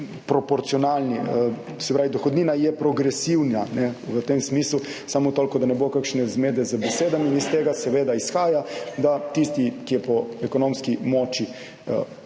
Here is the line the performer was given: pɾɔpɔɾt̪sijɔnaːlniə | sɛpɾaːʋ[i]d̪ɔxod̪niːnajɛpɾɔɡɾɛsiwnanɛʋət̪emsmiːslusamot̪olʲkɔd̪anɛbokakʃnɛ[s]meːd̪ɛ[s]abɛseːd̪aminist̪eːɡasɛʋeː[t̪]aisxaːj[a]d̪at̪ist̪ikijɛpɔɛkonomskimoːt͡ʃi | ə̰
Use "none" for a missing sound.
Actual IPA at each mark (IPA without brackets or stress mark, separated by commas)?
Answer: i, z, z, d̪, a